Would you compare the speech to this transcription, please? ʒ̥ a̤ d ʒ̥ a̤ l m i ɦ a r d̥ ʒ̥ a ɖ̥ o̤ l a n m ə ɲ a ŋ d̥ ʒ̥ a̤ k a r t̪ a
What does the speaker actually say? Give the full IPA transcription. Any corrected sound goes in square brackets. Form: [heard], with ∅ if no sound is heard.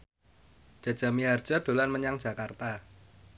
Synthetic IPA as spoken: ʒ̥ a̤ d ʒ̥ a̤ [∅] m i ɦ a r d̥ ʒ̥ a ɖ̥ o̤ l a n m ə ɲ a ŋ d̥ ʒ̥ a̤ k a r t̪ a